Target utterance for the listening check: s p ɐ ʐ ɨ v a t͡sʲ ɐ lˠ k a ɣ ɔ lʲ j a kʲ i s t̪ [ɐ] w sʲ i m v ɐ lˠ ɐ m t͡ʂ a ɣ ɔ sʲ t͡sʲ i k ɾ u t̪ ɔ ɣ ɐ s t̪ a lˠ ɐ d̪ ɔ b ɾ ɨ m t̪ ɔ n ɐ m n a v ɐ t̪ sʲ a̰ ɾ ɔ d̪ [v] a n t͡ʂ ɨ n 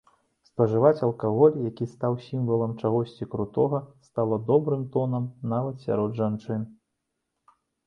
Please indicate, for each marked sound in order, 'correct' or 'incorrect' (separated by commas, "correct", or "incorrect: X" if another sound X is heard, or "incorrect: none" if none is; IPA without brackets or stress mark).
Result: incorrect: a, incorrect: ʐ